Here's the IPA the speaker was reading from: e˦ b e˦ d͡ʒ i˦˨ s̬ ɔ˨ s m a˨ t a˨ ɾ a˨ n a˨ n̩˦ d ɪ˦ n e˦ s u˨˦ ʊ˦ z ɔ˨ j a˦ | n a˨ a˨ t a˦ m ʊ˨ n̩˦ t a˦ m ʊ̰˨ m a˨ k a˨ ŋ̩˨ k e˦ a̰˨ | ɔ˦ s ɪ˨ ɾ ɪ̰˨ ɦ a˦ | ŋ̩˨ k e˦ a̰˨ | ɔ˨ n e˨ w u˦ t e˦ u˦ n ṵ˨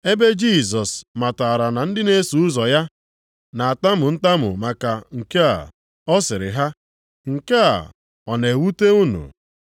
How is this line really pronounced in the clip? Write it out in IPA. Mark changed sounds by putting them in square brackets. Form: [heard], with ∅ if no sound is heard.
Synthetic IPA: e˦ b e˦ d͡ʒ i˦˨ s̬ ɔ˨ s m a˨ t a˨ ɾ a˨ n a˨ n̩˦ d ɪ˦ n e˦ s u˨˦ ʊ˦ z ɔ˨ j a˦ | n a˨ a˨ t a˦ m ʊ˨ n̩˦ t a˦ m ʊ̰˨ m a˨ k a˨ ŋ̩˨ k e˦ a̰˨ | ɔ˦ s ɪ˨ ɾ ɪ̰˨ ɦ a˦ | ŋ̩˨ k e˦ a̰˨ | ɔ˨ n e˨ w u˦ t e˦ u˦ n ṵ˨